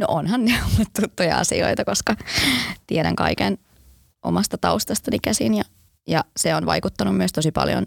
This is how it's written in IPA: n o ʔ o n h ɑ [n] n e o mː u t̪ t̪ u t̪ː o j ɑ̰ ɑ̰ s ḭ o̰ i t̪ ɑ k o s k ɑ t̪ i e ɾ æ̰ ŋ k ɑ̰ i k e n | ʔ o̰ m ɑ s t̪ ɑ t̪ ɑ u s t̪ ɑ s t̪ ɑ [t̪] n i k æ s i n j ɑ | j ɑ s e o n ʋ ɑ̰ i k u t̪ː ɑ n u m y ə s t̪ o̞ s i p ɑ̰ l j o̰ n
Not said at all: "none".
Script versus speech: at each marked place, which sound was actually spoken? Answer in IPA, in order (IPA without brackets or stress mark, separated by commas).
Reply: n, none